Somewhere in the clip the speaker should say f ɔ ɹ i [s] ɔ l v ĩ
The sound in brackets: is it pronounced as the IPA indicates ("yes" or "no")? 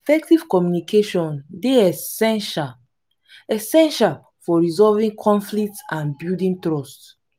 no